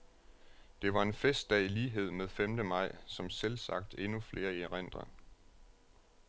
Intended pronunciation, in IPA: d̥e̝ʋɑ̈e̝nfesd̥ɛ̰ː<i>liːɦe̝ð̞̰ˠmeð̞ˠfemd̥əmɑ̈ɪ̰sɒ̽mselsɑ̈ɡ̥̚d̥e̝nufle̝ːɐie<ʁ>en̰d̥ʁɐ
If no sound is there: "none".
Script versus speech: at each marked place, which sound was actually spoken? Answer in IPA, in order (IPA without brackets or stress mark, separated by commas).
i, ʁ